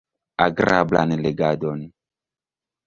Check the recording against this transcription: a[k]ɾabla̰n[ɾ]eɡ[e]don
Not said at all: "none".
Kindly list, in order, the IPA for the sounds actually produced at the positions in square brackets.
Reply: ɡ, l, a

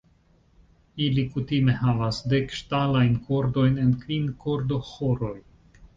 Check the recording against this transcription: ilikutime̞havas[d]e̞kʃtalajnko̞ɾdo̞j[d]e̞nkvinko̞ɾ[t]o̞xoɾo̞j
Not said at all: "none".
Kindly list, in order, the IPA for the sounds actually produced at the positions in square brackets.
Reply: d, n, d

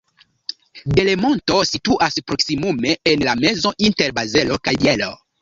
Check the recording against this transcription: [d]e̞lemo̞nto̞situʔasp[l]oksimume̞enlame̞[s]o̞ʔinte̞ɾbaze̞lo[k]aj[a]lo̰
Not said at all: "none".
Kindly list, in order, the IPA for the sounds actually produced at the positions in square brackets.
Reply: d, ɾ, z, k, e

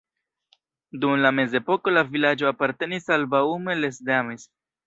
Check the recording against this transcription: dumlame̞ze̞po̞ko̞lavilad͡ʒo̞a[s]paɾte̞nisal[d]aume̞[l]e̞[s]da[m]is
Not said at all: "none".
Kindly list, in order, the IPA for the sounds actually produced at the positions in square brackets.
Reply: none, b, l, s, m

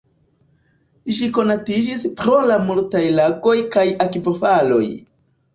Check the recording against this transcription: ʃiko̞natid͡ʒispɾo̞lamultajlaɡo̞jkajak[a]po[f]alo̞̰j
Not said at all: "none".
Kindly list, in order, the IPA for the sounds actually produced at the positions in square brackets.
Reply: i, f

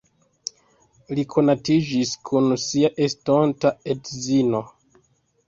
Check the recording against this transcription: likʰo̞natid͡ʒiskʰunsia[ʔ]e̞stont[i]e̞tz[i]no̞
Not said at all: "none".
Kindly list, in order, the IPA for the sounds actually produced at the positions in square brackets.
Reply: ʔ, a, i

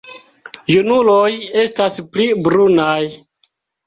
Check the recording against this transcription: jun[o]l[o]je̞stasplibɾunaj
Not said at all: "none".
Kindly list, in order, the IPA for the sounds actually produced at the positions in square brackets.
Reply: u, o

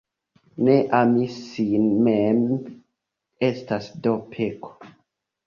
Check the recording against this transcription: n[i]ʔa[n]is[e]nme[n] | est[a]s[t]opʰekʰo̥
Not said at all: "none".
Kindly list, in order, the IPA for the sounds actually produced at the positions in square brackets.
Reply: e, m, i, m, a, d

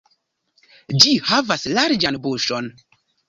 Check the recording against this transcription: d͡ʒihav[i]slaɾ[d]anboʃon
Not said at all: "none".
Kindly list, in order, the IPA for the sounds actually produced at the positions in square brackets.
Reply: a, d͡ʒ

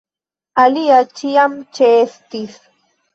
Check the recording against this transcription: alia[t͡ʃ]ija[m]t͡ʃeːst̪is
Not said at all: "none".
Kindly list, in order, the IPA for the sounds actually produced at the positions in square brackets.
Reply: t͡ʃ, m

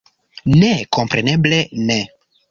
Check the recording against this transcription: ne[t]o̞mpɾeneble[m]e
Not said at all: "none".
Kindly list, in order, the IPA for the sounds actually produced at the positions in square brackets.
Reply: k, n

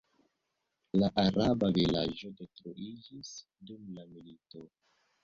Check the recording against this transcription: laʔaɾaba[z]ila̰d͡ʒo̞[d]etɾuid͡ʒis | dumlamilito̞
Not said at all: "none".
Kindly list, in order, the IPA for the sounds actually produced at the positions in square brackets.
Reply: v, d

